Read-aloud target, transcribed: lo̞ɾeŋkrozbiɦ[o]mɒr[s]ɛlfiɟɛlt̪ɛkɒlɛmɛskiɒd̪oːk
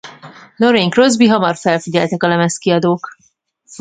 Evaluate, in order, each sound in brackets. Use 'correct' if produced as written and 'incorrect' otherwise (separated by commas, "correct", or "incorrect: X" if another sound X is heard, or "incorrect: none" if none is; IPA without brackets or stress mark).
incorrect: ɒ, incorrect: f